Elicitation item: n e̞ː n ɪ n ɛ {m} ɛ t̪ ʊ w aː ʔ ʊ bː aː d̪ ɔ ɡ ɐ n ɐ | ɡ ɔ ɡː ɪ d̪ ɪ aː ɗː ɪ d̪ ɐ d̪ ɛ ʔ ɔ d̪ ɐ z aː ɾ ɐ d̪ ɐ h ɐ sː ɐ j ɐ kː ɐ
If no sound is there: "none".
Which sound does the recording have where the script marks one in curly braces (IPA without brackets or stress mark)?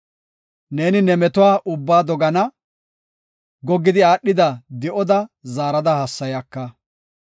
m